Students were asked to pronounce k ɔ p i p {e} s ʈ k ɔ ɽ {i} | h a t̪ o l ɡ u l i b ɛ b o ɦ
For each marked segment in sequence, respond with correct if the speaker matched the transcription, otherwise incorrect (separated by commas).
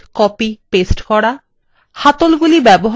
correct, incorrect